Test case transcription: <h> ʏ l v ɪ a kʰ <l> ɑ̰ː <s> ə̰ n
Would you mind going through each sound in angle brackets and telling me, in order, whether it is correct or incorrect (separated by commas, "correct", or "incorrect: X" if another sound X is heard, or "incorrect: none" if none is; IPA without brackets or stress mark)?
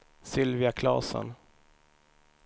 incorrect: s, correct, correct